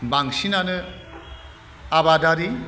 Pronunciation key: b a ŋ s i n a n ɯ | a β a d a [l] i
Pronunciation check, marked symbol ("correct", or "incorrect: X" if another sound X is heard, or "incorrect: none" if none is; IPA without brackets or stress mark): incorrect: ɾ